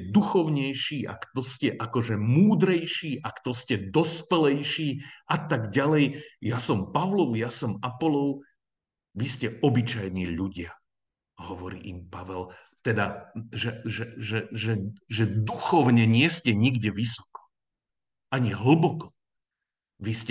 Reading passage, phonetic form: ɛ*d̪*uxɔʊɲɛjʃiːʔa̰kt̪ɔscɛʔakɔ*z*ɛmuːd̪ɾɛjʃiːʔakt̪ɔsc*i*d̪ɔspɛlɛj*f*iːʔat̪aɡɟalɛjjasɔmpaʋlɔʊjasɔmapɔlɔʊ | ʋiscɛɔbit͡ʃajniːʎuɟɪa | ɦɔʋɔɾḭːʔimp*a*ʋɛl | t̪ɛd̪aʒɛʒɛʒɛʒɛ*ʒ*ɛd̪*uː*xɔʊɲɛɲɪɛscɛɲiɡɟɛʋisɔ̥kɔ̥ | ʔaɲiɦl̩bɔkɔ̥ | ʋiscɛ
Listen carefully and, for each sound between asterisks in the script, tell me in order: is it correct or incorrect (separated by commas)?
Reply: correct, incorrect, incorrect, incorrect, correct, correct, incorrect